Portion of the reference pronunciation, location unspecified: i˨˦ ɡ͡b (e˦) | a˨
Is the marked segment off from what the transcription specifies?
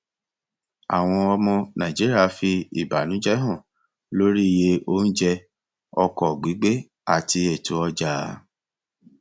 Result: no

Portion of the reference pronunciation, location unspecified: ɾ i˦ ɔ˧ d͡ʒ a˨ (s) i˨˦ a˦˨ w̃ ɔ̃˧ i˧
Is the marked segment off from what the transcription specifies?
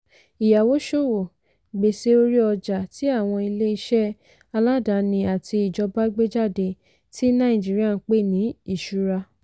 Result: yes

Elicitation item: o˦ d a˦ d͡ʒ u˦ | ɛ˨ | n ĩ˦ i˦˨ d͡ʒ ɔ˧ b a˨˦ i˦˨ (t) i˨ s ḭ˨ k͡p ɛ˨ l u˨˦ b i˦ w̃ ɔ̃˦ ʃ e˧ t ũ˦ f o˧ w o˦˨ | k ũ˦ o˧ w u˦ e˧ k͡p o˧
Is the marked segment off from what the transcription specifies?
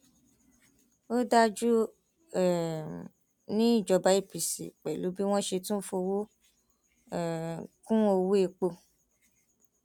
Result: yes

